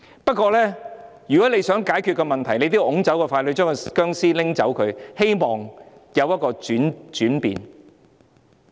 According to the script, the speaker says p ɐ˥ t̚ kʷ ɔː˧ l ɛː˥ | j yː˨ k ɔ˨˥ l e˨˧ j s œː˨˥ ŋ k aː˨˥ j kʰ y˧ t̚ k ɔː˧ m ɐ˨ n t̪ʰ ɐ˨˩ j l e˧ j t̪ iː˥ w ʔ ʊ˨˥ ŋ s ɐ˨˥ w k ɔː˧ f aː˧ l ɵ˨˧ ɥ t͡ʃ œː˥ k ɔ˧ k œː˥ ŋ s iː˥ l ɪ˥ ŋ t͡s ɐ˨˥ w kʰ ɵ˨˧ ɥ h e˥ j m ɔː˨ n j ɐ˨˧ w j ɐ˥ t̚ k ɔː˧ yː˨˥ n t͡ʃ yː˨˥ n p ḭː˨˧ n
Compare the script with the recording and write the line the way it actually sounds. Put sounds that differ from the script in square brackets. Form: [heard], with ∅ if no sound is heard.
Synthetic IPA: p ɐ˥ t̚ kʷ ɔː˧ l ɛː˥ | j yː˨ k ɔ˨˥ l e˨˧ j s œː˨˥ ŋ k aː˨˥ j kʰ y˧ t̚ k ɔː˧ m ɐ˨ n t̪ʰ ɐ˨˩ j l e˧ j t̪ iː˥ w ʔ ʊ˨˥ ŋ [t͡s] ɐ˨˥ w k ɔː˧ f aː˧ l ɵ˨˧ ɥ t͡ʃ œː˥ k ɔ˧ k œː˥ ŋ s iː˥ l ɪ˥ ŋ t͡s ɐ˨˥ w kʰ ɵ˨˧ ɥ h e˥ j m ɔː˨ [ŋ] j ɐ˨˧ w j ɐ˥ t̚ k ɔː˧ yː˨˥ n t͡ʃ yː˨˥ n p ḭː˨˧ n